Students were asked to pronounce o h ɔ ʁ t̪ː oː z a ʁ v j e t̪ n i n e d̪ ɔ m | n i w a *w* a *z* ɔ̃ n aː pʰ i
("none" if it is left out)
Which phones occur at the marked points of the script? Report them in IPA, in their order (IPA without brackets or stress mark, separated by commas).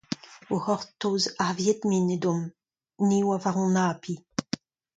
v, ʁ